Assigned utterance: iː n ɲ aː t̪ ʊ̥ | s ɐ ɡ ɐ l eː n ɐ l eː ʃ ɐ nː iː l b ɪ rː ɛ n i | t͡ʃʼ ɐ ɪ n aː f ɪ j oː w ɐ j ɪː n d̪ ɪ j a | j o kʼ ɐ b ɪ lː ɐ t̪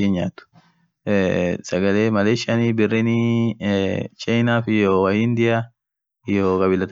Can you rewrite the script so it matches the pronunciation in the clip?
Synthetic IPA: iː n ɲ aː t̪ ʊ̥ | s ɐ ɡ ɐ l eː m ɐ l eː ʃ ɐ n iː b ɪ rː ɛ n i | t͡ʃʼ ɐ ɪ n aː f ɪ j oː w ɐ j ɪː n d̪ ɪ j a | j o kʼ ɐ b ɪ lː ɐ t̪